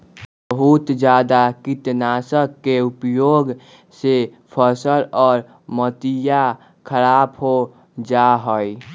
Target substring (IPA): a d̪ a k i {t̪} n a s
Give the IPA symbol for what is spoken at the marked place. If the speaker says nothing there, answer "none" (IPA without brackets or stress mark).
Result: t̪